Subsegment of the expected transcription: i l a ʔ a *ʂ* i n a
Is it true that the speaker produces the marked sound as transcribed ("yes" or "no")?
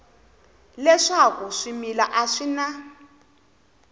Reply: yes